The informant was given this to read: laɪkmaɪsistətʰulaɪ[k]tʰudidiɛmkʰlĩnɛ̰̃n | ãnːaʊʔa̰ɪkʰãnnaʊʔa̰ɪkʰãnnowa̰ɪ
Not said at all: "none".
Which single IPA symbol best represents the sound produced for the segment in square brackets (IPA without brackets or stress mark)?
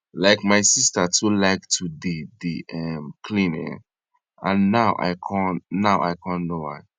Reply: k